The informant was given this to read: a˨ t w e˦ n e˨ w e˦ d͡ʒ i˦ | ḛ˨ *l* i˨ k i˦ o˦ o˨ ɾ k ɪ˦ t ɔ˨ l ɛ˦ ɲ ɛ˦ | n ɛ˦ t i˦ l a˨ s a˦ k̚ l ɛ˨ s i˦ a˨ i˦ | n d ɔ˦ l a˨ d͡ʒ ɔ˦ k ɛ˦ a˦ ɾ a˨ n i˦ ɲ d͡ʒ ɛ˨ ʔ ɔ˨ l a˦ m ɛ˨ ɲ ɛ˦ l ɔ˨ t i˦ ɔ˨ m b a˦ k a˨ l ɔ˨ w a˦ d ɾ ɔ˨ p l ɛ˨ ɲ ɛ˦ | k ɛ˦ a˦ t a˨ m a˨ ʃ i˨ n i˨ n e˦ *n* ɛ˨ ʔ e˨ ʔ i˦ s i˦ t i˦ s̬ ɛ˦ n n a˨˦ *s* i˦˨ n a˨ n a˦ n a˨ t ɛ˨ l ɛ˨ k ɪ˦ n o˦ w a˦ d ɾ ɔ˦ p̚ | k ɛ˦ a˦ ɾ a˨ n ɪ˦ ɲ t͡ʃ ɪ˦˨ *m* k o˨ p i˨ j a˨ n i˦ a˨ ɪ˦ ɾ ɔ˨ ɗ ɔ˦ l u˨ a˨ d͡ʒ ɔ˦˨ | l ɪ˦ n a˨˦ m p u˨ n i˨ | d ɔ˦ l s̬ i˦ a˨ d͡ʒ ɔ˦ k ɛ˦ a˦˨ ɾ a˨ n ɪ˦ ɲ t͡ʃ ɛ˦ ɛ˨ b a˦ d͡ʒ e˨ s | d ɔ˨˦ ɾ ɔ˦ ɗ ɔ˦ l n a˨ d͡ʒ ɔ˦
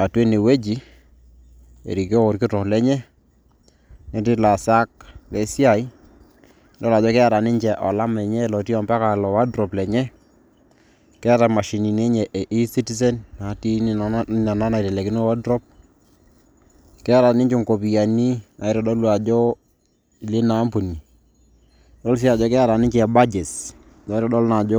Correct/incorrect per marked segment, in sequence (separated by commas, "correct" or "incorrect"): incorrect, incorrect, incorrect, incorrect